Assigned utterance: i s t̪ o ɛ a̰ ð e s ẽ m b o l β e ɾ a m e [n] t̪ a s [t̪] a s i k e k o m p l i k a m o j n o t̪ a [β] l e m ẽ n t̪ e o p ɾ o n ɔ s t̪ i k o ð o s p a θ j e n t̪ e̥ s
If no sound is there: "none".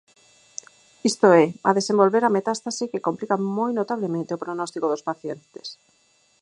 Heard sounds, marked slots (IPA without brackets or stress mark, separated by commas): none, t̪, β